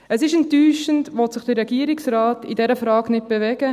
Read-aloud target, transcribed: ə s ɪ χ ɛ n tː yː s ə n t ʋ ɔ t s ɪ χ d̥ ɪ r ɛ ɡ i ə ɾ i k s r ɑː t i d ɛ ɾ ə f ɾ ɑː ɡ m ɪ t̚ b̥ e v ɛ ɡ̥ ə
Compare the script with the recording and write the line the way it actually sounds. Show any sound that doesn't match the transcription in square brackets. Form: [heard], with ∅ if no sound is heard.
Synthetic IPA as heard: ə s ɪ [ʃ] ɛ n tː yː [ʃ] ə n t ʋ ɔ t s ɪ χ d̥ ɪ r ɛ ɡ i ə ɾ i k s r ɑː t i d ɛ ɾ ə f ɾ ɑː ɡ [n] ɪ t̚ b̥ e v ɛ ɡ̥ ə